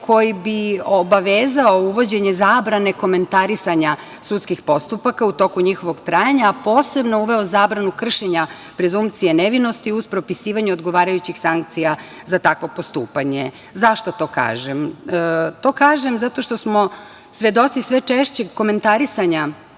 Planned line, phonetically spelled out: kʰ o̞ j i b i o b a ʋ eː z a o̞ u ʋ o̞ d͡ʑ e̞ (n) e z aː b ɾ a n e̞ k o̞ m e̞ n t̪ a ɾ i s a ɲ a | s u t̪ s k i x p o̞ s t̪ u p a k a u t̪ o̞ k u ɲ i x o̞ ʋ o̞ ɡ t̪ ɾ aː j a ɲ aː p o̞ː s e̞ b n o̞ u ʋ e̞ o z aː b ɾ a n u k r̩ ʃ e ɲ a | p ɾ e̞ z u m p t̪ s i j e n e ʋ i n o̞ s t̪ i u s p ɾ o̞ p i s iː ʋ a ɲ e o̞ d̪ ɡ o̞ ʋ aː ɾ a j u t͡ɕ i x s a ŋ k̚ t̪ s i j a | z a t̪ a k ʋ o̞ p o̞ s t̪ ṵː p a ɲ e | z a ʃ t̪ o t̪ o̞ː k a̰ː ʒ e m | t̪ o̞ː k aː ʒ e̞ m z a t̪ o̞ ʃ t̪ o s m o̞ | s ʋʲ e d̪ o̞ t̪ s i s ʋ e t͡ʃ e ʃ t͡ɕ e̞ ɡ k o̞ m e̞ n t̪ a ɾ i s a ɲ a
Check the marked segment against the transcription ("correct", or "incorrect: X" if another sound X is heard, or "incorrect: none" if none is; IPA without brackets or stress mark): incorrect: ɲ